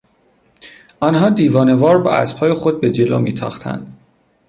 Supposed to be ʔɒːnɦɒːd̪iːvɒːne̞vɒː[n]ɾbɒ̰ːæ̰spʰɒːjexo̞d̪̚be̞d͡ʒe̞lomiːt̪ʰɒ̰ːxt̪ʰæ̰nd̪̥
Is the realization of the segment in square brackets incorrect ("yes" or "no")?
yes